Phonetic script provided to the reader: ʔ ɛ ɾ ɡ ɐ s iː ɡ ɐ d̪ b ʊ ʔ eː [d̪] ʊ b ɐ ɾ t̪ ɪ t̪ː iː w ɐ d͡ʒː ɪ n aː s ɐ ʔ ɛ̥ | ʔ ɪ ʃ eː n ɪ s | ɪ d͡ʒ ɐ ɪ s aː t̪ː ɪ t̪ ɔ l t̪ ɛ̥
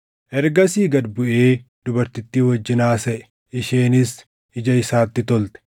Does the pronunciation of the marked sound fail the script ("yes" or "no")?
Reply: no